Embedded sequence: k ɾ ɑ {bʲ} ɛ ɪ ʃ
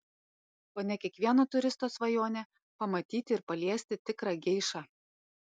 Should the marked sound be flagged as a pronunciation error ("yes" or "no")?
yes